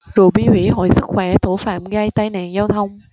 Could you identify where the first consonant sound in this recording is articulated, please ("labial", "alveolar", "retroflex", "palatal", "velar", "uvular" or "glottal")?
alveolar